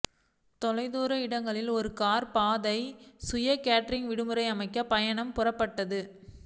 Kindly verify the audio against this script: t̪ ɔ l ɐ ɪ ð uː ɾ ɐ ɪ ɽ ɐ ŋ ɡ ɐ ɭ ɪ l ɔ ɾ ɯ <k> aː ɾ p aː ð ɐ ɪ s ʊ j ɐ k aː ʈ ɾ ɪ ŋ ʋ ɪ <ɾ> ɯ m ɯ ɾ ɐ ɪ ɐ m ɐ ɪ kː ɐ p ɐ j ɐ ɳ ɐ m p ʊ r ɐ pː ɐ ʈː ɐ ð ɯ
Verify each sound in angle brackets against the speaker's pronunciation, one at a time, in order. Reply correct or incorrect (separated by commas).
correct, incorrect